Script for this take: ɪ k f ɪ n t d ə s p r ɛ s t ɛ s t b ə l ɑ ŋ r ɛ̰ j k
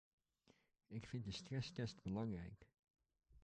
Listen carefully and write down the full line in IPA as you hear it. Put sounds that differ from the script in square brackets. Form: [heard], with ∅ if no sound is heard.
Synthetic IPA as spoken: ɪ k f ɪ n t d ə s [t] r ɛ s t ɛ s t b ə l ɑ ŋ r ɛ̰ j k